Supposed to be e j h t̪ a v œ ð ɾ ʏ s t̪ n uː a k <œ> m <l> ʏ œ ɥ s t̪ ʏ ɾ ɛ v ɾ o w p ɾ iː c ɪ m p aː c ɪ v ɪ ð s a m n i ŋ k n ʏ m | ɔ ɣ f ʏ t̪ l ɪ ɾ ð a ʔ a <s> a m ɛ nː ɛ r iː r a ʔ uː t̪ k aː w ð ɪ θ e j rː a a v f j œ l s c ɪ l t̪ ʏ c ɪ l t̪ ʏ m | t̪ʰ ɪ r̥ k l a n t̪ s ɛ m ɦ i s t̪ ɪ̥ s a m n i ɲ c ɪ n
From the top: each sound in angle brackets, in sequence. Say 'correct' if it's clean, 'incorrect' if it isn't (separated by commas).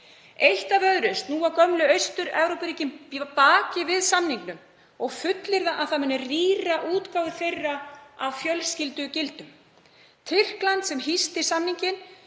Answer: correct, correct, incorrect